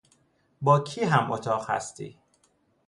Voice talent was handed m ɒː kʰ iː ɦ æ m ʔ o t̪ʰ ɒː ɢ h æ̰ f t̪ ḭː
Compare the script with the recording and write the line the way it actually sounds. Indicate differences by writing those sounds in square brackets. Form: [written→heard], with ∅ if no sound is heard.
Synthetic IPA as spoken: [m→b] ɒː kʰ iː ɦ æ m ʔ o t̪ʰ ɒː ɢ h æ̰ [f→s] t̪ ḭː